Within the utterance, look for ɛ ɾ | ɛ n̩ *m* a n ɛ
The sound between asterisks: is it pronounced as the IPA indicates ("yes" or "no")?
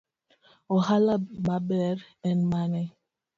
yes